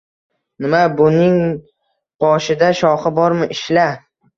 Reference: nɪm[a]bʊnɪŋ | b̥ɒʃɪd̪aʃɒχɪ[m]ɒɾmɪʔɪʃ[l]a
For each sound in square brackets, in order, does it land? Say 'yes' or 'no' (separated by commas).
yes, no, yes